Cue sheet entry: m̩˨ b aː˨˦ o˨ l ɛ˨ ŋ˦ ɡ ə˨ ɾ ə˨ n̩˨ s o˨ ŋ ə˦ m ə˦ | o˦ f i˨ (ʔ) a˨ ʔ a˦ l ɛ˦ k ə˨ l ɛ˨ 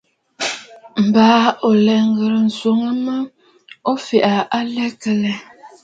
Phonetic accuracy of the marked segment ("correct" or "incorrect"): correct